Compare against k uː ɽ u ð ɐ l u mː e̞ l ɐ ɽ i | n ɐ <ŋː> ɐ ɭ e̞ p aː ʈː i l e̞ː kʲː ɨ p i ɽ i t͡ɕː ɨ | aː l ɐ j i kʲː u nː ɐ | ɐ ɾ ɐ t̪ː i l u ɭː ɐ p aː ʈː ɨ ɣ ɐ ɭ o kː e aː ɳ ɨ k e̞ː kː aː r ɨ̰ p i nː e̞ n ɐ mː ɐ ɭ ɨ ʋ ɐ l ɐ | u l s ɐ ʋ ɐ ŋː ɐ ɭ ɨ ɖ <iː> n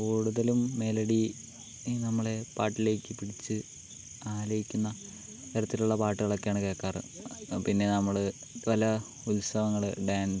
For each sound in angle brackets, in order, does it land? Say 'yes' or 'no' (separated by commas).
no, no